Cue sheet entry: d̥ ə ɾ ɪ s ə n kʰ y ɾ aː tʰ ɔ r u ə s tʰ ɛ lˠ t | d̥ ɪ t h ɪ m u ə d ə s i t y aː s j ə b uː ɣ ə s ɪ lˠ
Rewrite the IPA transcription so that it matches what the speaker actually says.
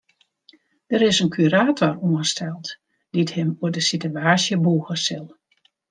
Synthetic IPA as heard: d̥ ə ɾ ɪ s ə n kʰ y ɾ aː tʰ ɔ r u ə s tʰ ɛ lˠ t | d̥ i t h ɪ m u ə d ə s i t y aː s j ə b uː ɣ ə s ɪ lˠ